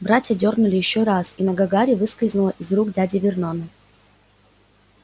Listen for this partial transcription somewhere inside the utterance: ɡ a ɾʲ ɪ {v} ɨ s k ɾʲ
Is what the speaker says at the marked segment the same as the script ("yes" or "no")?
yes